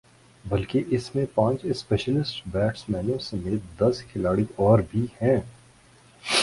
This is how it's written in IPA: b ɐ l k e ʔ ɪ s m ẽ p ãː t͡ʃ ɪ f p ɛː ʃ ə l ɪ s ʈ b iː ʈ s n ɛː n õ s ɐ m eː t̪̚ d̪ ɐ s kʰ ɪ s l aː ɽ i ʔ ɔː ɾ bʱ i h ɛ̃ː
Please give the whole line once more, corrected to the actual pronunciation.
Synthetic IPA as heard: b ɐ l k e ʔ ɪ s m ẽ p ãː t͡ʃ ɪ s p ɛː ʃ ə l ɪ s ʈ b ɛː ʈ s m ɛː n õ s ɐ m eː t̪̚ d̪ ɐ s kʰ ɪ l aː ɽ i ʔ ɔː ɾ bʱ i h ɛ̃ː